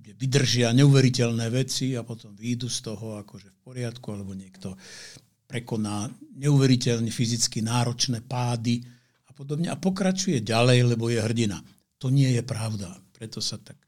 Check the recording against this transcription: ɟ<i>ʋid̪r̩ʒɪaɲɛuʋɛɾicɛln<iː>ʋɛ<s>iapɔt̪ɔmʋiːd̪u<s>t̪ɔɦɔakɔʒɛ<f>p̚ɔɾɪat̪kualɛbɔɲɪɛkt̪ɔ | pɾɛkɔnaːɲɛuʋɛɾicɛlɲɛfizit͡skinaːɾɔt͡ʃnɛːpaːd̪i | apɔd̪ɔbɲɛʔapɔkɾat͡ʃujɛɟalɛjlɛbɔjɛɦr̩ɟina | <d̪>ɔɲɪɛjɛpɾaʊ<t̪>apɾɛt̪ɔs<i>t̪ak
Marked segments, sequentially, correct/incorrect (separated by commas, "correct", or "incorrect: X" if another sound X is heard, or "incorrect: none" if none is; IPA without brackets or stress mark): incorrect: ɛ, incorrect: ɛː, incorrect: t͡s, correct, correct, incorrect: t̪, incorrect: d̪, incorrect: a